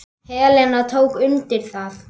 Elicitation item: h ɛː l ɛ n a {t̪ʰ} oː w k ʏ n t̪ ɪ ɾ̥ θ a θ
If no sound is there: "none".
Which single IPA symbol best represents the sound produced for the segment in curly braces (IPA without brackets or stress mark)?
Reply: t̪ʰ